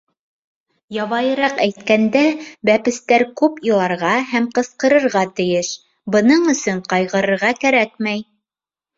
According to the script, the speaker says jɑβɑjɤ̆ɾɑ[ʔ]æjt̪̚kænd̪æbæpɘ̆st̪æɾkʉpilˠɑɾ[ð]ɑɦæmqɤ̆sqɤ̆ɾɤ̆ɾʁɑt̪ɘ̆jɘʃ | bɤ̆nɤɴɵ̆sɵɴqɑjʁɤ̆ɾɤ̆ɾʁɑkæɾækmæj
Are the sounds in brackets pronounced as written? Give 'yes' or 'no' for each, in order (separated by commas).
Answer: no, no